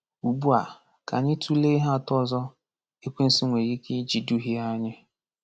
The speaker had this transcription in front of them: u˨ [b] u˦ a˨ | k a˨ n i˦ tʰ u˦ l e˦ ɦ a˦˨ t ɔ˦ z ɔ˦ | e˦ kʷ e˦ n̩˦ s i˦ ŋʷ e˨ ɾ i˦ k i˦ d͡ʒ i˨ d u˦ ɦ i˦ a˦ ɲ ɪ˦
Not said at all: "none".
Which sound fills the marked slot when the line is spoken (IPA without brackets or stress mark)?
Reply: b